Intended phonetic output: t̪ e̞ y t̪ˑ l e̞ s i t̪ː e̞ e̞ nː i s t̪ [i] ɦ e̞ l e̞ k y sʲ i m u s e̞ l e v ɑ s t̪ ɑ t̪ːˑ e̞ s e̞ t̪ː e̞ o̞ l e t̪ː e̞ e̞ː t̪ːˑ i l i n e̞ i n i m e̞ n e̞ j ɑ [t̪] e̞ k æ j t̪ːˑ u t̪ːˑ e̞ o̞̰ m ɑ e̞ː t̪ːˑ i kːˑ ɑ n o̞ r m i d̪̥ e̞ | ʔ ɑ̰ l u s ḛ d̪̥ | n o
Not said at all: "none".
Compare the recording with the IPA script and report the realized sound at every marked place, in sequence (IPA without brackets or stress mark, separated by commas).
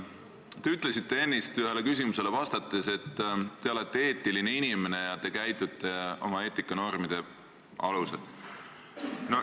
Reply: y, t̪